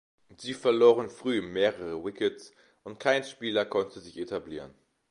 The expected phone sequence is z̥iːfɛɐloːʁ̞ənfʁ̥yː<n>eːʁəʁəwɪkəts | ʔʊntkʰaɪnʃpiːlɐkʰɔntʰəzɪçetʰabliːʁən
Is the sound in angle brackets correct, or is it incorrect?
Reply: incorrect: m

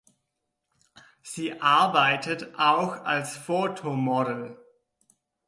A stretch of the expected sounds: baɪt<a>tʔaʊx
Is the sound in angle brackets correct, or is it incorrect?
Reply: incorrect: ə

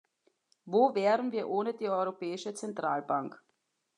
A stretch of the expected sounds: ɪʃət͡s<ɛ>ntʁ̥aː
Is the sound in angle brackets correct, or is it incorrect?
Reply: correct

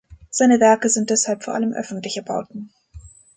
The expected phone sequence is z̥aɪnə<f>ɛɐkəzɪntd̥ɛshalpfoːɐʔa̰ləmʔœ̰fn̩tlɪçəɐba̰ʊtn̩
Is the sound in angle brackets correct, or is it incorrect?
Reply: incorrect: v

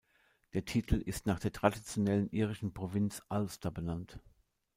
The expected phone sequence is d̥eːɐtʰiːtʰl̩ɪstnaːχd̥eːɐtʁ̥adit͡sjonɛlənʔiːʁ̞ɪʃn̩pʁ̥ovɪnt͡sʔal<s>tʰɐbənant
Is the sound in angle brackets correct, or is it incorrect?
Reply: correct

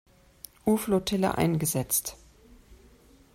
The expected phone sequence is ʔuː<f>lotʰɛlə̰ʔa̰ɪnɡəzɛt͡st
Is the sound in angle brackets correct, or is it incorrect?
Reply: correct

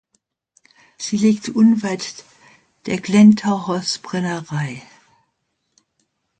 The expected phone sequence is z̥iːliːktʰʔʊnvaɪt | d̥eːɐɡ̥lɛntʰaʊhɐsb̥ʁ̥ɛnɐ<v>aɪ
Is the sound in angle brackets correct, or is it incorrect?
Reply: incorrect: ʁ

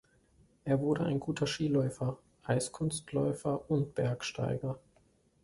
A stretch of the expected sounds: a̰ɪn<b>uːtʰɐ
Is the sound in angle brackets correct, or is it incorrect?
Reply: incorrect: ɡ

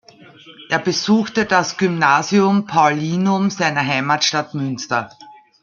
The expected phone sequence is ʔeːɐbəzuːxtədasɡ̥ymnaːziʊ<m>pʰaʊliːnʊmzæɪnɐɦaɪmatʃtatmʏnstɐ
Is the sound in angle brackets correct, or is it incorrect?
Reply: correct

